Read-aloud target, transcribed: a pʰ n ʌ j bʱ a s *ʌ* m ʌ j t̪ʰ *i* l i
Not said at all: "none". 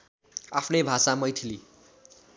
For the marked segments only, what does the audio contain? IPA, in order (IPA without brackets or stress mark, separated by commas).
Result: a, i